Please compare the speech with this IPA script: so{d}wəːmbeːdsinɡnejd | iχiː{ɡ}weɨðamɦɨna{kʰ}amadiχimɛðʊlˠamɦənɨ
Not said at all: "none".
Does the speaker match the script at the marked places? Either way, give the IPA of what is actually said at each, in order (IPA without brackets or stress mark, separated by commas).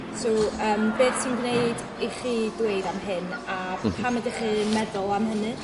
none, d, pʰ